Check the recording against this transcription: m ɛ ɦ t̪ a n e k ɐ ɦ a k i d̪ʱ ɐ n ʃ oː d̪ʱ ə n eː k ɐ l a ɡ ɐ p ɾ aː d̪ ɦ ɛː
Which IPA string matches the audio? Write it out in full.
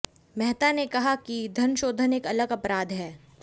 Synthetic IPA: m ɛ ɦ t̪ a n e k ɐ ɦ a k i d̪ʱ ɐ n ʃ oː d̪ʱ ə n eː k ɐ l ə ɡ ɐ p ɾ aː d̪ ɦ ɛː